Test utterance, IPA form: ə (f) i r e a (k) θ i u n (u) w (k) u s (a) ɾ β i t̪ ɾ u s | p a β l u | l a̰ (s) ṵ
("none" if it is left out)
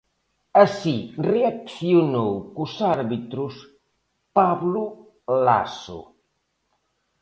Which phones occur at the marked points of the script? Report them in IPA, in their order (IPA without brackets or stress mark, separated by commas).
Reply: s, k, o, k, a, s